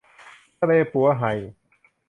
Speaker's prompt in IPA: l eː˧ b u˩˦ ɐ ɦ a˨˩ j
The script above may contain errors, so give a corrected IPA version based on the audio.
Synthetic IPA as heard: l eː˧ p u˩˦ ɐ ɦ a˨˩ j